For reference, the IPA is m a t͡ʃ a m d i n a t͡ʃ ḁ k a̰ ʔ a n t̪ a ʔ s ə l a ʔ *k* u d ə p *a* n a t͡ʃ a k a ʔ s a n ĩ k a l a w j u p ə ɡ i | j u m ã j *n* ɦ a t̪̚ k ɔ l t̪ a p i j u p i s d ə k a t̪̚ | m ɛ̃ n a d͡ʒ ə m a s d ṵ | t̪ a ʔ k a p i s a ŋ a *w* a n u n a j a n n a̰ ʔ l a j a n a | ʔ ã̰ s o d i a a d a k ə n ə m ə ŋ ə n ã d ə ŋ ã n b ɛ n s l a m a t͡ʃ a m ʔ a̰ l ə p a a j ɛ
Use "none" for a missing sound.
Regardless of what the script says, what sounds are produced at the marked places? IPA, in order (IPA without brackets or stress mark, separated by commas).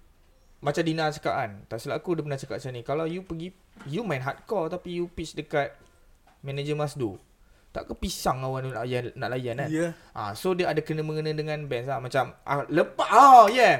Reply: k, ə, n, w